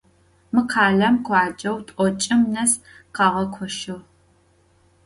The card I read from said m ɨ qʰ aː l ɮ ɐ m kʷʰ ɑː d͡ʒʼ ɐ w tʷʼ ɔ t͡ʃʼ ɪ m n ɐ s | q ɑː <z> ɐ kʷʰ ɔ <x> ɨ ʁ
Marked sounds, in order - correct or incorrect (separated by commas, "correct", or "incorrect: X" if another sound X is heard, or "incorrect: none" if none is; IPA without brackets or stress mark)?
incorrect: ʁ, incorrect: ʃ